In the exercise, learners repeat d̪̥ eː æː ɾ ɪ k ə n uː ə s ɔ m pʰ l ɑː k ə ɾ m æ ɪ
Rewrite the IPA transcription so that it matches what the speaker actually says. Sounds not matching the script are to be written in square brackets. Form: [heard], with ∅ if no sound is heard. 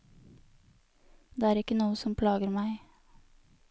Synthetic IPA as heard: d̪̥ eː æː ɾ ɪ k ə n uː ə s ɔ m pʰ l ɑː [ɡ] ə ɾ m æ ɪ